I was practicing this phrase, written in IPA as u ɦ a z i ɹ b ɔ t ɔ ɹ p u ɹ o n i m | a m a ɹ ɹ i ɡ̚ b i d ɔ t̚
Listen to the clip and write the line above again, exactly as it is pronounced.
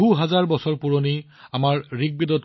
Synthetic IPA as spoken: u ɦ a z a ɹ b ɔ s ɔ ɹ p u ɹ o n i | a m a ɹ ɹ i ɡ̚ b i d ɔ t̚